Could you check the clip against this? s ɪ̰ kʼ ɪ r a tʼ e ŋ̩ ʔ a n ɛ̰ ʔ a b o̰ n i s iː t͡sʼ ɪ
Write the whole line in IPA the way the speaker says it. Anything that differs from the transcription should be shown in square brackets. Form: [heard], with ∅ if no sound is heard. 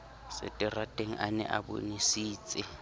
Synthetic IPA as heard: s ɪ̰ [tʼ] ɪ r a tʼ e ŋ̩ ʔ a n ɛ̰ ʔ a b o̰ n i s iː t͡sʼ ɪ